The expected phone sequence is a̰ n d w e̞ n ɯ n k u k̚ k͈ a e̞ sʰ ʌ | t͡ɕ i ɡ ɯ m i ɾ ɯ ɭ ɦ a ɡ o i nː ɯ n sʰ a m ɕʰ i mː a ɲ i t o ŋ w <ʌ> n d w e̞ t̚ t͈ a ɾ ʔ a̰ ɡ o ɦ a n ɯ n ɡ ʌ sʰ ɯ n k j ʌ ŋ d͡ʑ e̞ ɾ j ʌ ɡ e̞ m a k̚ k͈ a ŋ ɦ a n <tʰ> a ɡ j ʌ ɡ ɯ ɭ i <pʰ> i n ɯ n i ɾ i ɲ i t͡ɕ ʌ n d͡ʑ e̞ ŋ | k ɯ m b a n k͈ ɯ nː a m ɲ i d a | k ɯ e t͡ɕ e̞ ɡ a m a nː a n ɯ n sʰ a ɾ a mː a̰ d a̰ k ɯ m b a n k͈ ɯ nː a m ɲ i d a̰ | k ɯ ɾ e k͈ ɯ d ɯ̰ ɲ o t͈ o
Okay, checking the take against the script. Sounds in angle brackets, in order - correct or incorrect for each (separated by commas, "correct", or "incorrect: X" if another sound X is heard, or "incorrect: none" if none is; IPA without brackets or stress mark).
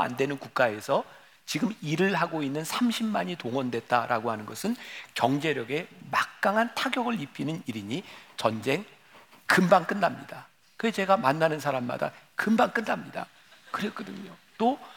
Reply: correct, correct, correct